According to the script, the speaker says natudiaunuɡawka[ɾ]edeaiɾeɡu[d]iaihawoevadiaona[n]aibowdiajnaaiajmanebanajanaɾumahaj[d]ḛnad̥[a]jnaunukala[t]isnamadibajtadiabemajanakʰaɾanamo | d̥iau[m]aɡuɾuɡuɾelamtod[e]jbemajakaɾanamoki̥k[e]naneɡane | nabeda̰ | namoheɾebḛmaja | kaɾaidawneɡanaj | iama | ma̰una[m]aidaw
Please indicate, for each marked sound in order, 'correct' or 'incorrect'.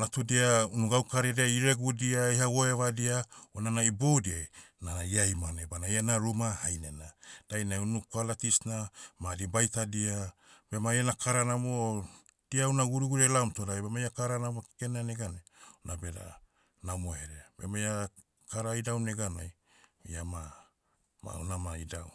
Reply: correct, correct, correct, incorrect: n, correct, correct, incorrect: n, incorrect: a, correct, correct

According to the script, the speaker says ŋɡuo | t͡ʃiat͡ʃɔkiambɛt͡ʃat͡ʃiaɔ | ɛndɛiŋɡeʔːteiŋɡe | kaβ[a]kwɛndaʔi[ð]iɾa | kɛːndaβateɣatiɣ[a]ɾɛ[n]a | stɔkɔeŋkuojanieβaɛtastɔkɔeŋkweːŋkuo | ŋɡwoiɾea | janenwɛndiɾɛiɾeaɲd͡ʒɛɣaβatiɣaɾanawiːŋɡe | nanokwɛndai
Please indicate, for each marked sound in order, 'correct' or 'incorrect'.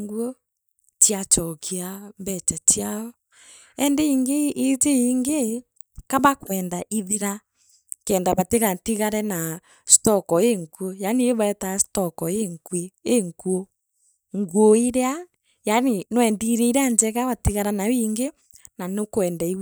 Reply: correct, correct, correct, correct

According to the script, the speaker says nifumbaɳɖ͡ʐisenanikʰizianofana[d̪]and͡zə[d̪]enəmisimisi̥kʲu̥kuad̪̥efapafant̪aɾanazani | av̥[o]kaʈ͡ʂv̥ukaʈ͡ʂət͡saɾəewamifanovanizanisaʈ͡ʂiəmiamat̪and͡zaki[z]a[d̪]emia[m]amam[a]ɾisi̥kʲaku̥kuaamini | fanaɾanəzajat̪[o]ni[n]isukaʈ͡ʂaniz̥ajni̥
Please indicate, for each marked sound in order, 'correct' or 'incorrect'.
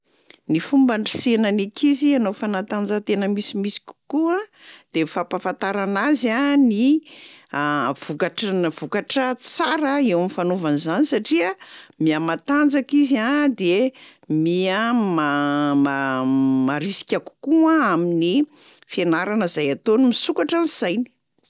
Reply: incorrect: t̪, incorrect: t̪, incorrect: u, correct, correct, correct, correct, correct, incorrect: m

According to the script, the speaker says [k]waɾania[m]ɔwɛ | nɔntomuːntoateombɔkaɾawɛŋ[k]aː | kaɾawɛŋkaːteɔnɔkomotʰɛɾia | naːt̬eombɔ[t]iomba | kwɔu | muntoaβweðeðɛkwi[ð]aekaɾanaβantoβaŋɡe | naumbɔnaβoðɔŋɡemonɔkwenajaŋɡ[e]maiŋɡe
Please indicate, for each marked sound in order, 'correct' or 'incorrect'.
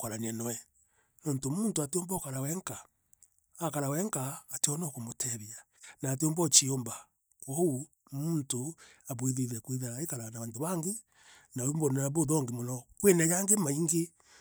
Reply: correct, incorrect: n, correct, incorrect: t͡ʃ, correct, correct

